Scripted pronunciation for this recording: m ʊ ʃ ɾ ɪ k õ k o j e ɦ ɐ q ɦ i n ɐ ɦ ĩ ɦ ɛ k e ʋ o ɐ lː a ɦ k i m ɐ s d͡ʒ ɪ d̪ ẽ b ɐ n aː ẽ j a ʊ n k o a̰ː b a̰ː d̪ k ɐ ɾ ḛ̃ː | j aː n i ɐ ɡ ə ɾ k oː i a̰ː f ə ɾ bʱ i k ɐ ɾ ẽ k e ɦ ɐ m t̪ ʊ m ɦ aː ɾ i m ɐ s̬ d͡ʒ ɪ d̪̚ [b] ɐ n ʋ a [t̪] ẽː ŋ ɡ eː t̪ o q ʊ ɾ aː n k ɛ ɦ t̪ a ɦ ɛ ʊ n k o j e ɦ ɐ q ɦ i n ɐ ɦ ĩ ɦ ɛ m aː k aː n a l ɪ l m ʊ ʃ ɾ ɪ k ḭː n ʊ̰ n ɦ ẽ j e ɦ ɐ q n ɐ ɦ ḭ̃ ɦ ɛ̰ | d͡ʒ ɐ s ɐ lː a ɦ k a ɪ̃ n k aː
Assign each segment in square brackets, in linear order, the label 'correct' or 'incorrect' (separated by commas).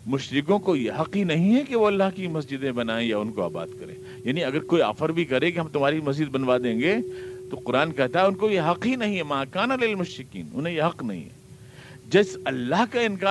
correct, incorrect